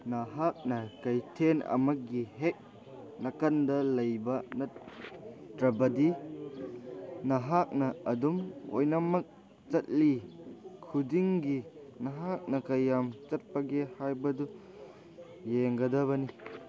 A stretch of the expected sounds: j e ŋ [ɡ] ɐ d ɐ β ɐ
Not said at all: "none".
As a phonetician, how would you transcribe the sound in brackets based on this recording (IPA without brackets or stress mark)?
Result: ɡ